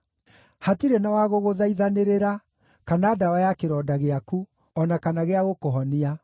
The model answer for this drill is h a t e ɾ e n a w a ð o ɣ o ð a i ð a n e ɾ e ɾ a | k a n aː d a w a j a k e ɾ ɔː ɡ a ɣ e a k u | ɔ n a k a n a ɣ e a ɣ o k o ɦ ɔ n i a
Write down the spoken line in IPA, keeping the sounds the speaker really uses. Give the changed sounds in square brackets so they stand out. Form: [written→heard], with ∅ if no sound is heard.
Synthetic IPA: h a t [e→i] ɾ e n a w a [ð→ɣ] o ɣ o ð a i ð a n e ɾ e ɾ a | k a n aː d a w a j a k e ɾ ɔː [ɡ→d] a ɣ e a k u | ɔ n a k a n a ɣ e a ɣ o k o ɦ ɔ n i a